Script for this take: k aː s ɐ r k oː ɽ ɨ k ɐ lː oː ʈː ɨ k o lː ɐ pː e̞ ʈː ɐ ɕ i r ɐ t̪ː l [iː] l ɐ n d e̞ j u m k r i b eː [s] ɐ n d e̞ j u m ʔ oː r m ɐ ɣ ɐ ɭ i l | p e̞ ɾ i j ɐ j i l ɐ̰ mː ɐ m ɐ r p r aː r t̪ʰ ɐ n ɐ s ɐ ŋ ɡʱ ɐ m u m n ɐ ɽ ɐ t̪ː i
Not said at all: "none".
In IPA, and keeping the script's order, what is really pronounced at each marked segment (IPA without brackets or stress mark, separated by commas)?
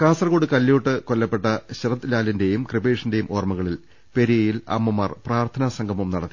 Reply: aː, ʂ